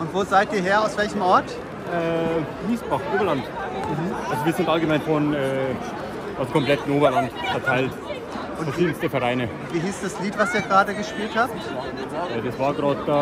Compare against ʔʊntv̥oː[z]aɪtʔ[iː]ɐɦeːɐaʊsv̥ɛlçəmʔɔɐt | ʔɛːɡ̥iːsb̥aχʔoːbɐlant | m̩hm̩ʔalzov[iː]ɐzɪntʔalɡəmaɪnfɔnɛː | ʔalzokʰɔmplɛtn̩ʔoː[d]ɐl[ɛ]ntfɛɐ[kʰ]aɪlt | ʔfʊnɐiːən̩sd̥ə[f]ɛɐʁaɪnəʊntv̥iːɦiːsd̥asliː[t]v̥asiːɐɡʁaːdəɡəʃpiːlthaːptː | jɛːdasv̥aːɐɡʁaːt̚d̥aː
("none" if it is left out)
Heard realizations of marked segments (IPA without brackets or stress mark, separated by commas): z, iː, iː, b, a, tʰ, f, t